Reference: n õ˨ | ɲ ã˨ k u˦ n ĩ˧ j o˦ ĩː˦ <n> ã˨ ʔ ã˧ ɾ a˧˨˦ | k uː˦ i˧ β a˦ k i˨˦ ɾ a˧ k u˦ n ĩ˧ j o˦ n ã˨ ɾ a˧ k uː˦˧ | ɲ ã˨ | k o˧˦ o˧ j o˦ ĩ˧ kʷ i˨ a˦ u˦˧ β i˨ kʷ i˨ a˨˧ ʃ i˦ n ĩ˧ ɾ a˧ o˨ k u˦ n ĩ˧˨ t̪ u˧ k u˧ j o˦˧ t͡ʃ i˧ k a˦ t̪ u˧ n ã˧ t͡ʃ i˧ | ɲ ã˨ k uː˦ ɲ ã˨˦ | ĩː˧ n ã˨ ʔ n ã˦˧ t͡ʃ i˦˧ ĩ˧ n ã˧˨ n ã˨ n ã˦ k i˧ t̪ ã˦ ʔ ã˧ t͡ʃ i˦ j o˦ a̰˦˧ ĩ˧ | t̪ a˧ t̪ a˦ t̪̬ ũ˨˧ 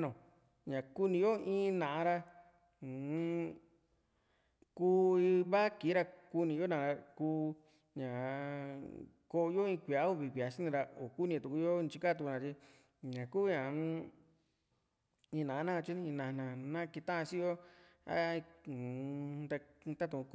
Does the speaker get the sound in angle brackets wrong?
no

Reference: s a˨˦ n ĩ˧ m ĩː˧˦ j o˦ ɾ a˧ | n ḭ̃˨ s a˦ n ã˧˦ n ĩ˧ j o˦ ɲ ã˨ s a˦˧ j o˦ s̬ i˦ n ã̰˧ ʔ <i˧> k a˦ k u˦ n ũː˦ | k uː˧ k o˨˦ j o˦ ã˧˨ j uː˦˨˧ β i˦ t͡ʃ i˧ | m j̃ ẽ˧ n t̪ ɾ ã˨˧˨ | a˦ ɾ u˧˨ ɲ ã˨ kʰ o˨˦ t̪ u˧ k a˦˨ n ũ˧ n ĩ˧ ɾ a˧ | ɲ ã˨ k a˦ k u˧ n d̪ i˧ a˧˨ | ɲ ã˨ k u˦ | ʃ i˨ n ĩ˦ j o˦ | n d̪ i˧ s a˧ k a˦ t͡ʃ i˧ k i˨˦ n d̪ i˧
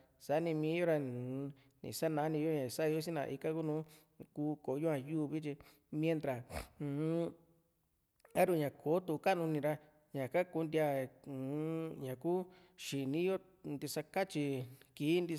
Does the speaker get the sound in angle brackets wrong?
no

